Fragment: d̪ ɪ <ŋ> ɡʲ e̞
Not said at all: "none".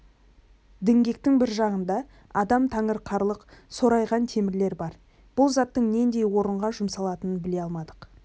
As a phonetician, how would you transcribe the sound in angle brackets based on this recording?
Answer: ŋ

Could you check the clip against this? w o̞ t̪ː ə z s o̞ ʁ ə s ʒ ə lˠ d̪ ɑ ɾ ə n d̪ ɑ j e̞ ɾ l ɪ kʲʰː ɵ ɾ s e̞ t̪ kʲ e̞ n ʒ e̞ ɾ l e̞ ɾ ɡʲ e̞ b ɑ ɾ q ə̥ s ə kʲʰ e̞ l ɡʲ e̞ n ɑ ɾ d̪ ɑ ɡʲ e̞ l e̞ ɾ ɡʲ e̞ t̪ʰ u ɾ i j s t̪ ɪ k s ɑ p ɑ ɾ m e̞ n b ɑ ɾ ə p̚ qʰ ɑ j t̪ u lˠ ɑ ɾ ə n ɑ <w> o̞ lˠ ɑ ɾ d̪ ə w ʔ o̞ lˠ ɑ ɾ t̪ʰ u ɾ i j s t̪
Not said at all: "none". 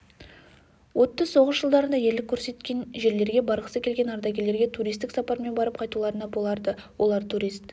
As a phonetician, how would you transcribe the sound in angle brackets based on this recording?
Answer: b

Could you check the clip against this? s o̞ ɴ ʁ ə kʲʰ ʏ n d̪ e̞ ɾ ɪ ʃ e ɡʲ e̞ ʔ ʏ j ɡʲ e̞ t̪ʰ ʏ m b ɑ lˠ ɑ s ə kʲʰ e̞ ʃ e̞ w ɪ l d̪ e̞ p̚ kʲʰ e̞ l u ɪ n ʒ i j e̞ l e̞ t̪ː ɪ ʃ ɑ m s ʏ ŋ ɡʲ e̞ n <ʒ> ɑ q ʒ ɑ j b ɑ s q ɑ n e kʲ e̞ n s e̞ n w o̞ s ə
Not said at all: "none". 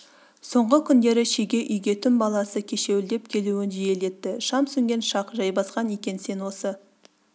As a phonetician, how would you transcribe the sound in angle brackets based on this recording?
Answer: ʃ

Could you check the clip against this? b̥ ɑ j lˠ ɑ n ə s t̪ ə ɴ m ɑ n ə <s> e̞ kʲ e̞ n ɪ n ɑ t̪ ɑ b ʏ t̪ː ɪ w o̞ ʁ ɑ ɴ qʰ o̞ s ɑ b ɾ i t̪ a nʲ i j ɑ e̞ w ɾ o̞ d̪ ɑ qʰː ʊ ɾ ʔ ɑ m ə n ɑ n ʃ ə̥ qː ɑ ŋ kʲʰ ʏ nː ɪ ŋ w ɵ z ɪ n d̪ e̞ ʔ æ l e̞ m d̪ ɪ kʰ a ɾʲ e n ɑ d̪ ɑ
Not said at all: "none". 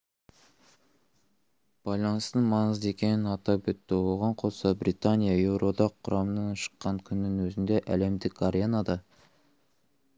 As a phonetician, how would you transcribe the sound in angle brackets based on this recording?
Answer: z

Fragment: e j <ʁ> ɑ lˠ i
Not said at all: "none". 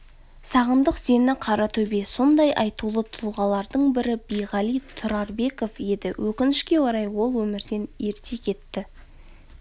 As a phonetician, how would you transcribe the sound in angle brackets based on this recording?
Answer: ʁ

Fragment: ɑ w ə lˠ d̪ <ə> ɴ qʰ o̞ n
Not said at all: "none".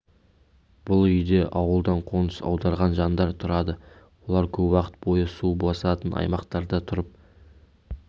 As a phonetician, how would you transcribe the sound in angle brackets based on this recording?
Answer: ɑ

